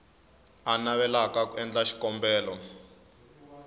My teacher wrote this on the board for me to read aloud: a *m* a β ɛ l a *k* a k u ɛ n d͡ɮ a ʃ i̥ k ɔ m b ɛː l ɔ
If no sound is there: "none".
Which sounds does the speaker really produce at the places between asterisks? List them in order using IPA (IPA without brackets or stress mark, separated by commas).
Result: n, k